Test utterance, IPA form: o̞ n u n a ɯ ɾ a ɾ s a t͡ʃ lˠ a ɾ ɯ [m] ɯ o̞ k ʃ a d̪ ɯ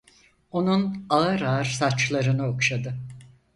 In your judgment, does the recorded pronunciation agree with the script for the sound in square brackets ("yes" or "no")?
no